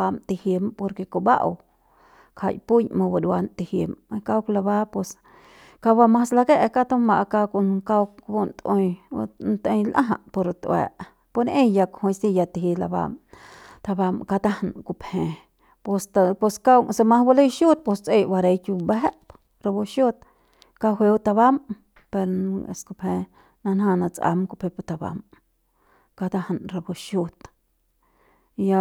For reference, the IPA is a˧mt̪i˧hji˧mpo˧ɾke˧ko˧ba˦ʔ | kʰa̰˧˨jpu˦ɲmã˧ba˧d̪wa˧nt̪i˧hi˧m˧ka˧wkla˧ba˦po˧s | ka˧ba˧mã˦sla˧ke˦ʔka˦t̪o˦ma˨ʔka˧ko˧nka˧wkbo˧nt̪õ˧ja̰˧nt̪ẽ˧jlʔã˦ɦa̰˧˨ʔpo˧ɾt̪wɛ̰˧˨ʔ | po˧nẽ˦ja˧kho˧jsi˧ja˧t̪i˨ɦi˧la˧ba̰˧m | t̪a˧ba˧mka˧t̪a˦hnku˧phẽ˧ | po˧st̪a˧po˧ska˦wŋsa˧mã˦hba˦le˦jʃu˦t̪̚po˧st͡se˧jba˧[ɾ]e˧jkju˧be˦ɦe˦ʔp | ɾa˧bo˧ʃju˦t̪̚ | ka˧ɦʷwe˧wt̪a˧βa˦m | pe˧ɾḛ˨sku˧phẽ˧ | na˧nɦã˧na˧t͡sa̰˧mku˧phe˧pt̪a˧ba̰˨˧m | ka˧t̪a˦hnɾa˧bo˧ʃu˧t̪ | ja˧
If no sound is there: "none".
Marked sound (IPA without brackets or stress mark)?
ɾ